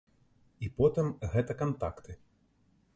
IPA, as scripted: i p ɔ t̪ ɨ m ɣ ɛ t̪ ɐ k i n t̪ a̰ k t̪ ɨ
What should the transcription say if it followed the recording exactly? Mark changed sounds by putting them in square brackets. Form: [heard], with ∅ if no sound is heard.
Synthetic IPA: i p ɔ t̪ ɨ m ɣ ɛ t̪ ɐ k [a] n t̪ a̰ k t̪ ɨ